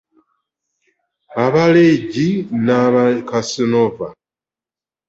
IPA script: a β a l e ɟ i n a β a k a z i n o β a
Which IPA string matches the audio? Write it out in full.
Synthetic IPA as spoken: a β a l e ɟ i n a β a k a s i n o v a